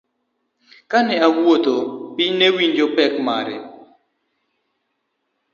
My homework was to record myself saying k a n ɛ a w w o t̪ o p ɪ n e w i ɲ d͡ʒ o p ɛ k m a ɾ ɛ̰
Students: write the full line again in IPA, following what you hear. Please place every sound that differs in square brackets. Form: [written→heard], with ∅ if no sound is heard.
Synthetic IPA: k a n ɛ a w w o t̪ o p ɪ n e w i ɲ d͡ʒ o p ɛ k m a ɾ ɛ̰